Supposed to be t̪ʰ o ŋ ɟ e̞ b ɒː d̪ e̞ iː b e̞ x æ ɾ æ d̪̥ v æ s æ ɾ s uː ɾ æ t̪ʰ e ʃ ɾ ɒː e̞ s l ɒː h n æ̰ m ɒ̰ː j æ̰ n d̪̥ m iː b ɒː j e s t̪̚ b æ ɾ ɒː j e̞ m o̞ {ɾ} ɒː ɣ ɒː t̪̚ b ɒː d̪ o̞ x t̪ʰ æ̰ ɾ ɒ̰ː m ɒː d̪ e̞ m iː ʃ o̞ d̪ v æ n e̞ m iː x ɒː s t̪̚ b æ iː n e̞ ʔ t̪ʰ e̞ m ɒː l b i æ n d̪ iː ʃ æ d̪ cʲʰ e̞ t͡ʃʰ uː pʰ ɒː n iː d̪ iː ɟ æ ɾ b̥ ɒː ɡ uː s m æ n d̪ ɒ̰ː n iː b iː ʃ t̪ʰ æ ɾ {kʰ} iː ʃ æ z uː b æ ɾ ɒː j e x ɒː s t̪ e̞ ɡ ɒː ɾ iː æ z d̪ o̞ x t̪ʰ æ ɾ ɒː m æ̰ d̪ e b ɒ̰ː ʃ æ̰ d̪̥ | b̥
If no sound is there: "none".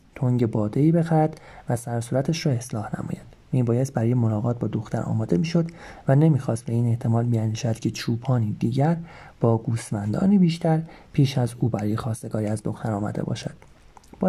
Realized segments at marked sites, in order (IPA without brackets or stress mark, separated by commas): l, pʰ